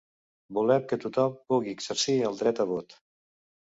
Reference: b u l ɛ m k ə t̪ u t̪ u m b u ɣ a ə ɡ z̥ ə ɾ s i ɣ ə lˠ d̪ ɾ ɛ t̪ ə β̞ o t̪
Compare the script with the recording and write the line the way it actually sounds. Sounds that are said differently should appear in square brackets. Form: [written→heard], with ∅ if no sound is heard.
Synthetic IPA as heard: b u l ɛ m k ə t̪ u t̪ [u→ɔ] m [b→p] u ɣ [a→i] ə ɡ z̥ ə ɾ s i [ɣ→∅] ə lˠ d̪ ɾ ɛ t̪ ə β̞ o t̪